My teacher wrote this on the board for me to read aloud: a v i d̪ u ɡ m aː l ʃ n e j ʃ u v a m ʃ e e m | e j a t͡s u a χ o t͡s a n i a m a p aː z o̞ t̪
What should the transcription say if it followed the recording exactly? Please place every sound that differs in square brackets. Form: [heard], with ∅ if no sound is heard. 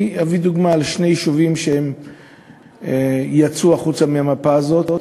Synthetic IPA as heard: a v i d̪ u ɡ m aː l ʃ n e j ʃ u v [i] m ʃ e e m | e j a t͡s u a χ [u] t͡s a [m] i a m a p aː z o̞ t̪